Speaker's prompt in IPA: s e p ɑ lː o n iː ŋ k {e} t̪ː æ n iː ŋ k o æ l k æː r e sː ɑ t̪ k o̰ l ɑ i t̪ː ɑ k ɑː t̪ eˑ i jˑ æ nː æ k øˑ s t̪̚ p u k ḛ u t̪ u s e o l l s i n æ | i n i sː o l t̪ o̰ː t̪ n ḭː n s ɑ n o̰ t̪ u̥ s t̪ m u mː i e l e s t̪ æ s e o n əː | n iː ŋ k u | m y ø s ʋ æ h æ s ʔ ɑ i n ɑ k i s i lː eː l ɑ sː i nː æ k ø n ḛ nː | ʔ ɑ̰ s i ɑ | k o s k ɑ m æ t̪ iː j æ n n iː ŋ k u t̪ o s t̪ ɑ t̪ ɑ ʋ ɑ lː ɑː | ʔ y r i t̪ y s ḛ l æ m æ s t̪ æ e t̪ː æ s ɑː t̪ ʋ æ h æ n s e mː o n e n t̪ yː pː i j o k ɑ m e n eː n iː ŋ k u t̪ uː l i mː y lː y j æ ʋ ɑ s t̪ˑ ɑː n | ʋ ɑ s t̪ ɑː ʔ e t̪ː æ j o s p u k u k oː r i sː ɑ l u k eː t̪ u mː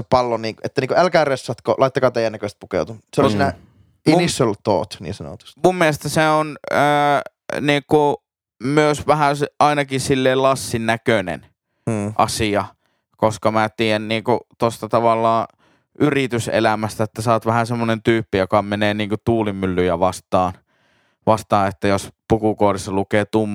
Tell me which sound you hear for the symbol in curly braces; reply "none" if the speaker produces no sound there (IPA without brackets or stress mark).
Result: e